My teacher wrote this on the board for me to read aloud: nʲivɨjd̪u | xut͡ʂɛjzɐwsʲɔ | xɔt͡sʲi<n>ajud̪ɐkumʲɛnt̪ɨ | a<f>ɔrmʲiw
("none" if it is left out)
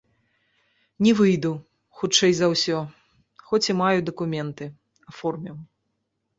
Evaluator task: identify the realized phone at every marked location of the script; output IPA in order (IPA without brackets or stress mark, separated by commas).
m, f